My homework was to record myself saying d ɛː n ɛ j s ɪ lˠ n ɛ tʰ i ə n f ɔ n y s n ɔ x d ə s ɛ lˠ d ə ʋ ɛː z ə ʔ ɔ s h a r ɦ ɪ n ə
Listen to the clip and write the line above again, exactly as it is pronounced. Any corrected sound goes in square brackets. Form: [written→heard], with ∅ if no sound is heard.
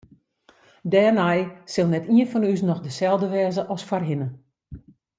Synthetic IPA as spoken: d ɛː n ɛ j s ɪ lˠ n ɛ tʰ i ə n f ɔ n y s n ɔ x d ə s ɛ lˠ d ə ʋ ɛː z ə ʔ ɔ s [h→f] a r ɦ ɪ n ə